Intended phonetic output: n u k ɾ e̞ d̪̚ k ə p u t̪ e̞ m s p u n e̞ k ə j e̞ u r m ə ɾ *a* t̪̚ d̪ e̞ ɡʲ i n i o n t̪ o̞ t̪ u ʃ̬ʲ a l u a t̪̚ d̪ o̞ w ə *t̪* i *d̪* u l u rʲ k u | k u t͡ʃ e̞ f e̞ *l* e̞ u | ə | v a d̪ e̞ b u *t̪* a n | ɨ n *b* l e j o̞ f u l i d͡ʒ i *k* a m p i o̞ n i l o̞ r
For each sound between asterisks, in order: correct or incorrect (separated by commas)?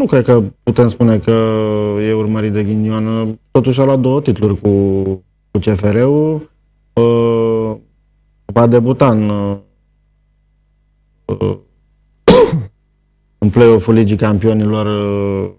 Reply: incorrect, correct, incorrect, incorrect, correct, incorrect, correct